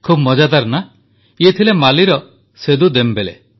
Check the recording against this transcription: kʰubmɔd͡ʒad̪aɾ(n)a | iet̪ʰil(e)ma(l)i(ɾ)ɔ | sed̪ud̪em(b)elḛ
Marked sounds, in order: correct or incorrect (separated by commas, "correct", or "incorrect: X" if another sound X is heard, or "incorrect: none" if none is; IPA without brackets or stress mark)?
correct, correct, correct, correct, correct